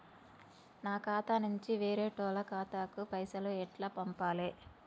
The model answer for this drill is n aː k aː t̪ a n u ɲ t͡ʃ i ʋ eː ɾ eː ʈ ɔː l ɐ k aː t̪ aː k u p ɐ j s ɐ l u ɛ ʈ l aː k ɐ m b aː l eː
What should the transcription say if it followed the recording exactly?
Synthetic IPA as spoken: n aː k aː t̪ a n u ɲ t͡ʃ i ʋ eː ɾ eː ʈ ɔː l ɐ k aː t̪ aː k u p ɐ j s ɐ l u ɛ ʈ l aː p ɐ m p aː l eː